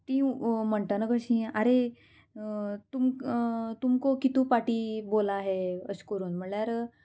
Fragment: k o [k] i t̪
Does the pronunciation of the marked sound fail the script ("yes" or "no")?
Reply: no